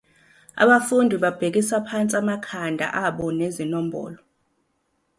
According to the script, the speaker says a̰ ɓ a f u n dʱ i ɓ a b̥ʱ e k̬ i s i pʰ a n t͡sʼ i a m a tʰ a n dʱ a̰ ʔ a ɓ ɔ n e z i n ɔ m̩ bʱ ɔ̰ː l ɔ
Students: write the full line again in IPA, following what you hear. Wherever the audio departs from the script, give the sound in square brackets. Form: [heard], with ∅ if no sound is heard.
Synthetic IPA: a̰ ɓ a f u n dʱ i ɓ a b̥ʱ e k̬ i s [a] pʰ a n t͡sʼ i a m a [kʰ] a n dʱ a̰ ʔ a ɓ ɔ n e z i n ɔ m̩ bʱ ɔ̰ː l ɔ